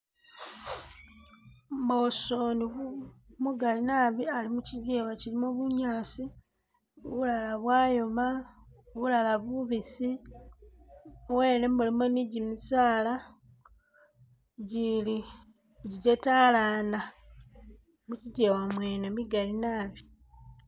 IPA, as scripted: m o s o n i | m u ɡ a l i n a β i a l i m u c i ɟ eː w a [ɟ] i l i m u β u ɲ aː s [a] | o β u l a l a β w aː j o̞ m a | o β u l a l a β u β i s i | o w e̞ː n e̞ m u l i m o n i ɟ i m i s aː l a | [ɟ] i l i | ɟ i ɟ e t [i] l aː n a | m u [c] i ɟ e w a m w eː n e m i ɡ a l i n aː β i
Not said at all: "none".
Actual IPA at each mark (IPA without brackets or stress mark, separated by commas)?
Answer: c, i, ɟ, a, c